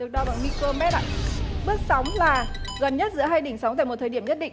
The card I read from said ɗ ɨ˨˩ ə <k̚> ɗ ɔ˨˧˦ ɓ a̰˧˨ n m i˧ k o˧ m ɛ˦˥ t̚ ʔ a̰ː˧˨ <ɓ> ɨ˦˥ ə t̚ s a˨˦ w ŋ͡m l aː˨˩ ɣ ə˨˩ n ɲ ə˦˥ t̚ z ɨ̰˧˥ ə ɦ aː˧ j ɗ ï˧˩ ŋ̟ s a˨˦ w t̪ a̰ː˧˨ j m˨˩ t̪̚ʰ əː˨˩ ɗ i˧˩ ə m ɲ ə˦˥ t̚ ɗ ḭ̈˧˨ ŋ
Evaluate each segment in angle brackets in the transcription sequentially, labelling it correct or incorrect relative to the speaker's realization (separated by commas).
correct, correct